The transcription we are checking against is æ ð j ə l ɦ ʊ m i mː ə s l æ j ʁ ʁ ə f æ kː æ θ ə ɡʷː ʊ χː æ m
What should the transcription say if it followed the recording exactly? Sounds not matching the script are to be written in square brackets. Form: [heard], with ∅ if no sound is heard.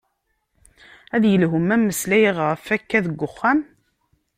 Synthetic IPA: æ ð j ə l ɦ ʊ m [æ] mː ə s l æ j ʁ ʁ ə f æ kː æ [ð] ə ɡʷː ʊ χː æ m